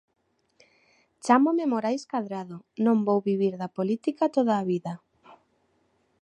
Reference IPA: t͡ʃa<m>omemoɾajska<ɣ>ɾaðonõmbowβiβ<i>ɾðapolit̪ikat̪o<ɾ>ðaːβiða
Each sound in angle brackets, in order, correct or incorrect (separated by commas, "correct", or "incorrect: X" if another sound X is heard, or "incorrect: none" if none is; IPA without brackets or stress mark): correct, incorrect: ð, correct, incorrect: none